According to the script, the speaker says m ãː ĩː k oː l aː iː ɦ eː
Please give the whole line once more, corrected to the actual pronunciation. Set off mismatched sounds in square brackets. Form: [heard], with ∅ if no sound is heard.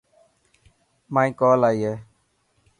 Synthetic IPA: m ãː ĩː k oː l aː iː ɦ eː